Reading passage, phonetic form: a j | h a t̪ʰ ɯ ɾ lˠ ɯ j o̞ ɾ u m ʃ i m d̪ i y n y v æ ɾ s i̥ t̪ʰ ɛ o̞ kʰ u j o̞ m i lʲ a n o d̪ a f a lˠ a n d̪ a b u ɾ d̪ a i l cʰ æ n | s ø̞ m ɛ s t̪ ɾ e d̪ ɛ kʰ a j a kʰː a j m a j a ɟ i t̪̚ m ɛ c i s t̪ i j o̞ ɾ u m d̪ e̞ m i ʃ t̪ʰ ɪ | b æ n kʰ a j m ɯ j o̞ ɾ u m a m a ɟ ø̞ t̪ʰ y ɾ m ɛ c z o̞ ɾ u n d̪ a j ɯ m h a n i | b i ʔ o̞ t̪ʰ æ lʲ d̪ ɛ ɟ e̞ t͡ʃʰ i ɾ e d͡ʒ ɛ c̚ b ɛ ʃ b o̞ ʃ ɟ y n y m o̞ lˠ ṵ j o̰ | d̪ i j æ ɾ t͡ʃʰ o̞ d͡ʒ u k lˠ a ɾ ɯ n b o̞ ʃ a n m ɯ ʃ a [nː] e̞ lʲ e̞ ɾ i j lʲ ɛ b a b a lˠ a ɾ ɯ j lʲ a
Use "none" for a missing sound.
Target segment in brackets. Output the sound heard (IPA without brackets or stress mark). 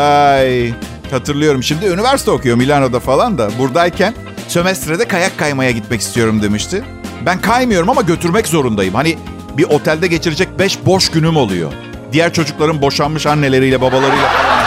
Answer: nː